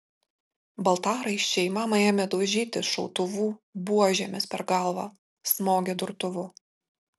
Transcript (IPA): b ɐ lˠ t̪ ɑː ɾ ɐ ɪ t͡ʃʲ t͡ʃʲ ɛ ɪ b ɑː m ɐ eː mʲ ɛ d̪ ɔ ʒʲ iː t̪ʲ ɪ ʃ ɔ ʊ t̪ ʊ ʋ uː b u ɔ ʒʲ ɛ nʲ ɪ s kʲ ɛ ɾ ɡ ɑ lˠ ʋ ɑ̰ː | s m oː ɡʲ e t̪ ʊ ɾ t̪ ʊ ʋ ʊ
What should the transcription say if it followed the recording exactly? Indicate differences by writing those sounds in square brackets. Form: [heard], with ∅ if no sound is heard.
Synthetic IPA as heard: b ɐ lˠ t̪ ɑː ɾ ɐ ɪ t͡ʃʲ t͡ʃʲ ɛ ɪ [m] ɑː m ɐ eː mʲ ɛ d̪ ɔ ʒʲ iː t̪ʲ ɪ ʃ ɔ ʊ t̪ ʊ ʋ uː b u ɔ ʒʲ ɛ [mʲ] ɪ s [pʲ] ɛ ɾ ɡ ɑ lˠ ʋ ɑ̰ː | s m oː ɡʲ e [d̪] ʊ ɾ t̪ ʊ ʋ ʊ